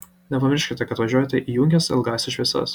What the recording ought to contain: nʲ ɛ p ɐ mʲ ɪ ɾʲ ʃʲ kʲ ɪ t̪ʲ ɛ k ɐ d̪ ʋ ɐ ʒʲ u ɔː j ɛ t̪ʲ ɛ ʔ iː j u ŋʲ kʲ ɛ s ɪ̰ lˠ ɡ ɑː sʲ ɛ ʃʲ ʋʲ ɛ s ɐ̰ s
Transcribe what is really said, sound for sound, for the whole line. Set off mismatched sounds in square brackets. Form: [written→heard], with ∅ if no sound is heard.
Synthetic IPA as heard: nʲ ɛ p ɐ mʲ ɪ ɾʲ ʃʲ kʲ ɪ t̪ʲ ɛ k ɐ [d̪→t̪] ʋ ɐ ʒʲ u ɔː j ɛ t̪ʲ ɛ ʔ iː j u ŋʲ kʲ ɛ s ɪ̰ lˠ ɡ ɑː sʲ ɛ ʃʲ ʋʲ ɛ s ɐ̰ s